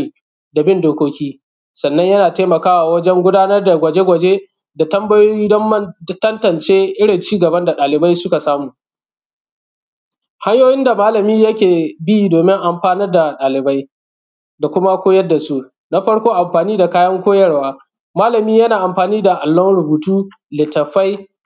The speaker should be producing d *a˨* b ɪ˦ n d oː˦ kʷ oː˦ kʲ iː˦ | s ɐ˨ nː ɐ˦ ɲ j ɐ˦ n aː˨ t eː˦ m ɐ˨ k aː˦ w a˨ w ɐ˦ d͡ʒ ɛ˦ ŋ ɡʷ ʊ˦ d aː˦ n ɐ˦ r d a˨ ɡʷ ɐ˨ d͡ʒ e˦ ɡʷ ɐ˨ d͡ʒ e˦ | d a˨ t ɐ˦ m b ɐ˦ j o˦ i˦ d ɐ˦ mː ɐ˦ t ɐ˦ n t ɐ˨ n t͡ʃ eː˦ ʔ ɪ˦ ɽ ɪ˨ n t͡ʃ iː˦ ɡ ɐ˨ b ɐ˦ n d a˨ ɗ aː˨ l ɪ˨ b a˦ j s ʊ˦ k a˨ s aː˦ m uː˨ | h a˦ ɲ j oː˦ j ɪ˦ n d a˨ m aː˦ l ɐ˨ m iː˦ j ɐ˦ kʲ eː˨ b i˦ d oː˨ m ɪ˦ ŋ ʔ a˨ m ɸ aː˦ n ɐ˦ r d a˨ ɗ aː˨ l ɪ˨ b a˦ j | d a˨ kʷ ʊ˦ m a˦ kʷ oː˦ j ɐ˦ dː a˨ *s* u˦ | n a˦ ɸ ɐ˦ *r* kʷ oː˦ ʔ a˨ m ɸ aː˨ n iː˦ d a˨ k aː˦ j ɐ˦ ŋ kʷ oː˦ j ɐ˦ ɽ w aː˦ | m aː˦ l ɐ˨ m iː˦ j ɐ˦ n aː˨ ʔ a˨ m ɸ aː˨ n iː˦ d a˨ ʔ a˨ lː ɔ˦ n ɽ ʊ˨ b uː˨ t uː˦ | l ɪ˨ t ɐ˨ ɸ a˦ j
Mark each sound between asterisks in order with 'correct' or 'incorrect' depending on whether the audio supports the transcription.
correct, correct, incorrect: ɽ

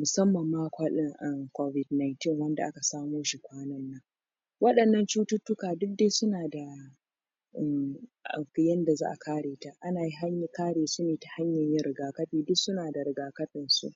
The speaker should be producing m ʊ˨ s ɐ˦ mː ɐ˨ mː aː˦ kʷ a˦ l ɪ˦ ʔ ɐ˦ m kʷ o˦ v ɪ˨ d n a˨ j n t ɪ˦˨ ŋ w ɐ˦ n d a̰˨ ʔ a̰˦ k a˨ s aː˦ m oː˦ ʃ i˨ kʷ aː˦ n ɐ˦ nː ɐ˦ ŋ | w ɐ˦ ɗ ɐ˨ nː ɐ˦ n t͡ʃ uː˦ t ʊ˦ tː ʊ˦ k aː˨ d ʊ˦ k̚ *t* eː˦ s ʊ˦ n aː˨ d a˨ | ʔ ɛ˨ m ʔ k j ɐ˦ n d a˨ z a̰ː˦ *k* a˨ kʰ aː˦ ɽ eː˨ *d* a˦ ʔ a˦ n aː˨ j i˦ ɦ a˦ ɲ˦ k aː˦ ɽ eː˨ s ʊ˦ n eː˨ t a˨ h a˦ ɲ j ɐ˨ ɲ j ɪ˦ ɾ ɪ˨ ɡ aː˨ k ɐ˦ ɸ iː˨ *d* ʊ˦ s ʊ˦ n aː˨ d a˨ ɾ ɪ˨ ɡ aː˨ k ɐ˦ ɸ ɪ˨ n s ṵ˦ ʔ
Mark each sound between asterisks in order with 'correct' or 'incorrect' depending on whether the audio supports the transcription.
incorrect: d, incorrect: ʔ, incorrect: t, correct

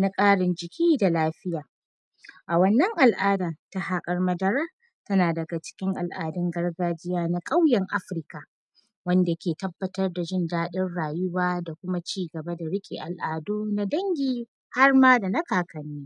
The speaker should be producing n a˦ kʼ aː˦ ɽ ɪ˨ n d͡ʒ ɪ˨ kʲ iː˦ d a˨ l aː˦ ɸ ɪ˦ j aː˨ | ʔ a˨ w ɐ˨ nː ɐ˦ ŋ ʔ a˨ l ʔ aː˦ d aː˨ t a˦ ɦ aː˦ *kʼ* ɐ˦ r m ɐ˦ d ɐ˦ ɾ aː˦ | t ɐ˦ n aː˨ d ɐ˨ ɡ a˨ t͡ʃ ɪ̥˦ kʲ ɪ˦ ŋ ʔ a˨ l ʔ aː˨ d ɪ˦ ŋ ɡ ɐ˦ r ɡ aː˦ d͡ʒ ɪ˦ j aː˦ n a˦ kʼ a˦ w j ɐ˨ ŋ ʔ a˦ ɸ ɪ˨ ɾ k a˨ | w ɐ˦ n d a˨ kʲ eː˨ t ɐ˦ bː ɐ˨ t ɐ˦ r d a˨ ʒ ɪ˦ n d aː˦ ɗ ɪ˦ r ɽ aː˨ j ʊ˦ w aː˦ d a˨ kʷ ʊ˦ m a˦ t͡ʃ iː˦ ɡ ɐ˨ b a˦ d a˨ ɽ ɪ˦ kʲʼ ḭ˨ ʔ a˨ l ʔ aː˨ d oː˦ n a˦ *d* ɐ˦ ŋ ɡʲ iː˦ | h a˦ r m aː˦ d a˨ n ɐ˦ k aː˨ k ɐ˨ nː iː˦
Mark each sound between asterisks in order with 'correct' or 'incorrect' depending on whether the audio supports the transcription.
correct, correct

